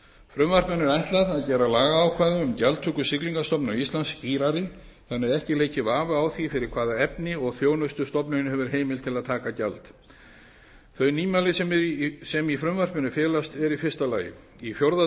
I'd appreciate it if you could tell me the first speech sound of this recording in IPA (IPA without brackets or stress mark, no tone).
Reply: f